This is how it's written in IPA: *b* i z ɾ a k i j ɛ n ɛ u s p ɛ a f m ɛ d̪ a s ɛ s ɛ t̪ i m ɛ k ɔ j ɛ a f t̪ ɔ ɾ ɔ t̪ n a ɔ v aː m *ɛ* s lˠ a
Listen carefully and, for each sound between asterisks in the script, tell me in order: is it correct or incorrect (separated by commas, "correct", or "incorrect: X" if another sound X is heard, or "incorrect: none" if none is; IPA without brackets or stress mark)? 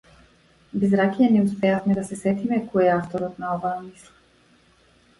correct, incorrect: i